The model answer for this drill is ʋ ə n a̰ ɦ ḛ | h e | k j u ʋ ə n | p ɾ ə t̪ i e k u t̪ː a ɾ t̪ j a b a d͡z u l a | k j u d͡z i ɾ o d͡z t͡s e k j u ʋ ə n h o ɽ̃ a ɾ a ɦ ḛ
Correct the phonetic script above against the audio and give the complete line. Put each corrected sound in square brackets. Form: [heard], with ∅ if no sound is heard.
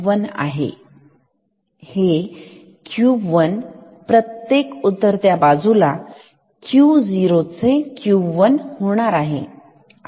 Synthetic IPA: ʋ ə n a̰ ɦ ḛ | h e | k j u ʋ ə n | p ɾ ə t̪ [j] e k u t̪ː [ə] ɾ t̪ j a b a d͡z u l a | k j u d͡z i ɾ o [∅] t͡s e k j u ʋ ə n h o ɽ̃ a ɾ a ɦ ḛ

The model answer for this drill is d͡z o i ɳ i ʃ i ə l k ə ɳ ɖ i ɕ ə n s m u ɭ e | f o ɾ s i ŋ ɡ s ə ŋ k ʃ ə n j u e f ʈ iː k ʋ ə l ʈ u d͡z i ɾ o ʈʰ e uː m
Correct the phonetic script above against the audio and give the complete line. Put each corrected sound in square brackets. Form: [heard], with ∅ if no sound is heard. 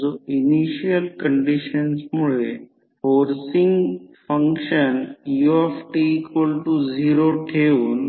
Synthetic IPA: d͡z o i [n] i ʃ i ə l k ə ɳ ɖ i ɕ ə n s m u ɭ e | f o ɾ s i ŋ ɡ [f] ə ŋ k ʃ ə n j u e f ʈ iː k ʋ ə l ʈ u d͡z i ɾ o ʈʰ e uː [n]

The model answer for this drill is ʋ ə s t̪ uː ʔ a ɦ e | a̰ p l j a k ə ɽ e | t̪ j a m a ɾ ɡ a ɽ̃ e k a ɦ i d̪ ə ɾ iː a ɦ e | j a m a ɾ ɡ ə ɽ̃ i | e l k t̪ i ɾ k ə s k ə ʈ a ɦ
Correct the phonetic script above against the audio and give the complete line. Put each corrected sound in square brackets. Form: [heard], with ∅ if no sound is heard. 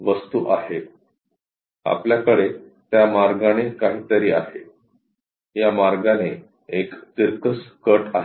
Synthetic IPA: ʋ ə s t̪ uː ʔ a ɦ e | a̰ p l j a k ə ɽ e | t̪ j a m a ɾ ɡ a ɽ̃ e k a ɦ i [t̪] ə ɾ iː a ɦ e | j a m a ɾ ɡ [a] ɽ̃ [e] | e [∅] k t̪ i ɾ k ə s k ə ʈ a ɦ

